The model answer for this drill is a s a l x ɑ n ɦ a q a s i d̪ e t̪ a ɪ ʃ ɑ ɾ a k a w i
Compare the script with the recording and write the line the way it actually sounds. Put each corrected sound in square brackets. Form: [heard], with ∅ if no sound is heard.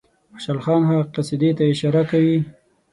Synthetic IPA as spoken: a [ʃ] a l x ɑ n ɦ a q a s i d̪ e t̪ a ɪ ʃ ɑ ɾ a k a w i